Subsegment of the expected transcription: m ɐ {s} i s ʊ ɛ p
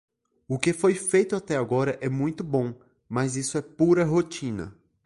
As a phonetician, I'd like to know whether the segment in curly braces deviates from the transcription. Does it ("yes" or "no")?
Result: yes